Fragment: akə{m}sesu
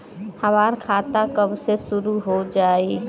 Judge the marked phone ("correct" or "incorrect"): incorrect